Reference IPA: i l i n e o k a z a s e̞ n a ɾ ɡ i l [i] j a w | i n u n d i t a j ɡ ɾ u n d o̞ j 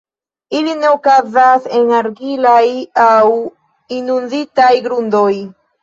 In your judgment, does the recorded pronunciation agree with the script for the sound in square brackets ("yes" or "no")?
no